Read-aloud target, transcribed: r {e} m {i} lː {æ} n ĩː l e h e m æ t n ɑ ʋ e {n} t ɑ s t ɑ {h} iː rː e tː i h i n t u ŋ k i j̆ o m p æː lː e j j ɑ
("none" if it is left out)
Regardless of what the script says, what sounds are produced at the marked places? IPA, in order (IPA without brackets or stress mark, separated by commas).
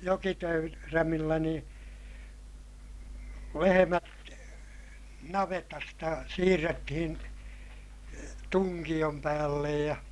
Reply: æ, i, æ, none, s